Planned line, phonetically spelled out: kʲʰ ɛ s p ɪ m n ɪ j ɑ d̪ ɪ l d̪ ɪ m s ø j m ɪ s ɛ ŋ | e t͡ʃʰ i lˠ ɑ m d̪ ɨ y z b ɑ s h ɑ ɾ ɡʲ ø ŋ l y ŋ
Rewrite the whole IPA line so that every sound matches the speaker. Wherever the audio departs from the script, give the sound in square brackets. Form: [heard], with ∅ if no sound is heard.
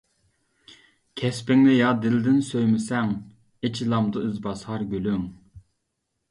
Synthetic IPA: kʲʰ ɛ s p ɪ [ŋ] n ɪ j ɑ d̪ ɪ l d̪ ɪ [n] s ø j m ɪ s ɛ ŋ | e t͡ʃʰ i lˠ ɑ m d̪ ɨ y z b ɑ s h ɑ ɾ ɡʲ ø [∅] l y ŋ